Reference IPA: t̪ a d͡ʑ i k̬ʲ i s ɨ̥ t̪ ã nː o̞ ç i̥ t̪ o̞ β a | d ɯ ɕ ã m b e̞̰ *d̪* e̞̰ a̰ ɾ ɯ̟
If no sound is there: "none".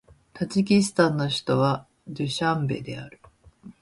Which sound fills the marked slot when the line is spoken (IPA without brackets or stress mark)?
d̪